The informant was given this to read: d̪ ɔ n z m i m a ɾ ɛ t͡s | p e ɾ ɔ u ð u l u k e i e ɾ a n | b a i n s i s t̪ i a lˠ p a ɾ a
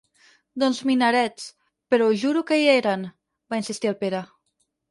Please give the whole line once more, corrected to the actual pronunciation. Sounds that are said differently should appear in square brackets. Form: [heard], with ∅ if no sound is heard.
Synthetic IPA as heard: d̪ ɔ n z m i [n] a ɾ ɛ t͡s | p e ɾ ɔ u [ʒ] u [ɾ] u k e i e ɾ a n | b a i n s i s t̪ i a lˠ p [e] ɾ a

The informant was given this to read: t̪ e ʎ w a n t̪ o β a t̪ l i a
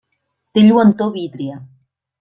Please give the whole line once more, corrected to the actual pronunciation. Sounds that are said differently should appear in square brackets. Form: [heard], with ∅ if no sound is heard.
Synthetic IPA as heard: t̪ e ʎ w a n t̪ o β [i] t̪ [ɾ] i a

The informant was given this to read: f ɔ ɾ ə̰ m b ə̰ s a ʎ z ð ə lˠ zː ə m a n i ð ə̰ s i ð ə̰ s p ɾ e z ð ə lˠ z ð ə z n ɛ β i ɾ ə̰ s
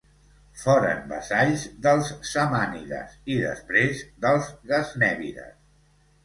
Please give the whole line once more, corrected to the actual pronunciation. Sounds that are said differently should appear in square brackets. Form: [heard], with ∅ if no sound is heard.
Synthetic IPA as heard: f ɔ ɾ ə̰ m b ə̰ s a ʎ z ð ə lˠ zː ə m a n i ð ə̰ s i ð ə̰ s p ɾ e z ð ə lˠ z [ɣ] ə z n ɛ β i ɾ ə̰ s

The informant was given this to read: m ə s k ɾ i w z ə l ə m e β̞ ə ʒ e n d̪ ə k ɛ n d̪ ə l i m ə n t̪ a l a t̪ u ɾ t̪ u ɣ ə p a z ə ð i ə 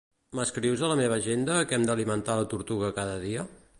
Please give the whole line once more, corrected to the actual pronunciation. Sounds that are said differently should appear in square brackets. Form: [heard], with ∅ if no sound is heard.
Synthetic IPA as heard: m ə s k ɾ i w z ə l ə m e β̞ ə ʒ e n d̪ ə k ɛ [m] d̪ ə l i m ə n t̪ a l [ə] t̪ u ɾ t̪ u ɣ ə [k] a [ð] ə ð i ə

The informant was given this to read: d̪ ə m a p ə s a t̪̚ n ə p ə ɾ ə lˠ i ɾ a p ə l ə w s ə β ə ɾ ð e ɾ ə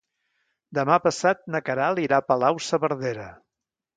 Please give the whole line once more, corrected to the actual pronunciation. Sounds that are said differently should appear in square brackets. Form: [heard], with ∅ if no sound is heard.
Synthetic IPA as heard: d̪ ə m a p ə s a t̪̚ n ə [k] ə ɾ [a] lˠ i ɾ a p ə l [a] w s ə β ə ɾ ð e ɾ ə

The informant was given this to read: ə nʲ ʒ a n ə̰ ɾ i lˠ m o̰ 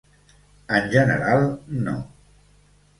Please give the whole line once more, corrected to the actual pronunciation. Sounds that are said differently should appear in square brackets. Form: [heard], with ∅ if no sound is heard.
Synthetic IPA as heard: ə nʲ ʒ [ə] n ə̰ ɾ [a] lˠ [n] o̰

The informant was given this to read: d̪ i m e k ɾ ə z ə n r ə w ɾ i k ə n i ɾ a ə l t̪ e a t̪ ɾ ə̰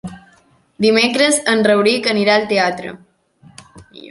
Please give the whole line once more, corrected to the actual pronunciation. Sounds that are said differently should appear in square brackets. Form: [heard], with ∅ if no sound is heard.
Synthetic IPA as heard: d̪ i m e k ɾ ə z ə n r ə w ɾ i k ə n i ɾ a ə l t̪ e a t̪ ɾ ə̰

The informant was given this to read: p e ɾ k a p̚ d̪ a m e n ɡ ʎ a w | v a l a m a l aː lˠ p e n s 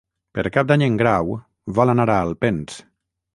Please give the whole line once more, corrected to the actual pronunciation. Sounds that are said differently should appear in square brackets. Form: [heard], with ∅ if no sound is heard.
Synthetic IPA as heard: p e ɾ k a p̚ d̪ a [ɲ] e [ŋ] ɡ [ɾ] a w | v a l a [n] a [ɾ] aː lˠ p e n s

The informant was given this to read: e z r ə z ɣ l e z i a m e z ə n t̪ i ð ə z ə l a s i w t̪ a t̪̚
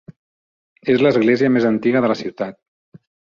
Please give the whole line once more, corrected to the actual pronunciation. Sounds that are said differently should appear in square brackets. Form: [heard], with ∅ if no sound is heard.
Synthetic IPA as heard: e z [l] ə z ɣ l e z i [ə] m e z ə n t̪ i [ɣ] ə [ð] ə l [ə] s i w t̪ a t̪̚

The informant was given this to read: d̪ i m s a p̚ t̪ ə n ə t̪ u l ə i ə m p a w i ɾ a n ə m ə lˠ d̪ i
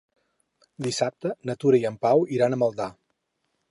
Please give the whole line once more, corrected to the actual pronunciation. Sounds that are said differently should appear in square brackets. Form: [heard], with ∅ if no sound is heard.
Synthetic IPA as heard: d̪ i [∅] s a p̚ t̪ ə n ə t̪ u [ɾ] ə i ə m p a w i ɾ a n ə m ə lˠ d̪ [a]

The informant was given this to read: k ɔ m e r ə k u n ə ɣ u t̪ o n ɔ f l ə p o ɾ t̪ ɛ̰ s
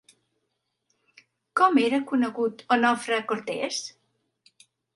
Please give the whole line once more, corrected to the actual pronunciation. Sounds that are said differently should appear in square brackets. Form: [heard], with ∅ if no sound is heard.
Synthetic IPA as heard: k ɔ m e [ɾ] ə k u n ə ɣ u t̪ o n ɔ f [ɾ] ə [k] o ɾ t̪ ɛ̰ s

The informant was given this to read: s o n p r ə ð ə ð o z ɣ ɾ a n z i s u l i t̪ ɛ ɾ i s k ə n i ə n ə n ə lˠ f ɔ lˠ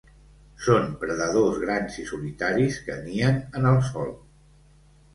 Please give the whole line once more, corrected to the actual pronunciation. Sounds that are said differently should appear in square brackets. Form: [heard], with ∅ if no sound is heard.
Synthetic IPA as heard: s o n p [ɾ] ə ð ə ð o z ɣ ɾ a n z i s u l i t̪ [a] ɾ i s k ə n i ə n ə n ə lˠ [s] ɔ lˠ

